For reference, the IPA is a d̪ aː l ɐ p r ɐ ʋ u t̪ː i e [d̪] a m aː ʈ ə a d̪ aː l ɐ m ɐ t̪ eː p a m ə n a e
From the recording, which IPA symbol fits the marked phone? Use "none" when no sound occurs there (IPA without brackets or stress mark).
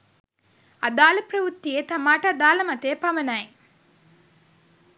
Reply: t̪